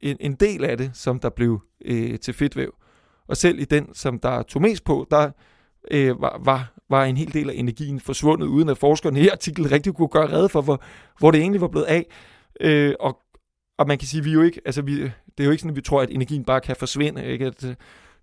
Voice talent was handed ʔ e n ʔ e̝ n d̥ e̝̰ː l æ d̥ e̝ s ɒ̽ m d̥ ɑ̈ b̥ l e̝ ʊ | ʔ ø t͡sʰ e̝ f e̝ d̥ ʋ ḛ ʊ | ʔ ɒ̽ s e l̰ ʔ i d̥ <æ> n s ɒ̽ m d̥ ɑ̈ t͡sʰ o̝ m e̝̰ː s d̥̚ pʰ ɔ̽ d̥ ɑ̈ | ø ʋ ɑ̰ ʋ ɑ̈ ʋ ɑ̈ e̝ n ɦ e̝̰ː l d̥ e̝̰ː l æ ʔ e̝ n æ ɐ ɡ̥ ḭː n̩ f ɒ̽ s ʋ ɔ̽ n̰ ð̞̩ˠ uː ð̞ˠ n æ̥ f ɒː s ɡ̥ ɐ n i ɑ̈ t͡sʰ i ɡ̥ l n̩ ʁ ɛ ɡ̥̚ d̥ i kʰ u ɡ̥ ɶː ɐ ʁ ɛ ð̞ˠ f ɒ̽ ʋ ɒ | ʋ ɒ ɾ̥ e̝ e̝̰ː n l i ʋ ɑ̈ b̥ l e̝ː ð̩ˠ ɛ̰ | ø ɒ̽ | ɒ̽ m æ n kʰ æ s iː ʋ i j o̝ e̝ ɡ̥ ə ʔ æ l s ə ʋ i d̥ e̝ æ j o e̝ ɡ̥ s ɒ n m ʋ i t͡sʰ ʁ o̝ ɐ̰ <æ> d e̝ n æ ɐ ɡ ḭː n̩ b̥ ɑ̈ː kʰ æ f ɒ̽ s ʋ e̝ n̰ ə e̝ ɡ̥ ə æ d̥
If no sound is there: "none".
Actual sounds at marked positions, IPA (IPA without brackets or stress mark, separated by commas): e, æ